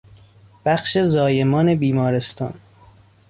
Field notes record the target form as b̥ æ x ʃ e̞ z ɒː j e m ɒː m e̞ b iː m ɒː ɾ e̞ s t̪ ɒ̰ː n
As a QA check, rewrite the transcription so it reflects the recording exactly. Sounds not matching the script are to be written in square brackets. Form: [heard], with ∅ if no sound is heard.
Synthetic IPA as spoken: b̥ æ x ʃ e̞ z ɒː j e m ɒː [n] e̞ b iː m ɒː ɾ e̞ s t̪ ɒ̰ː n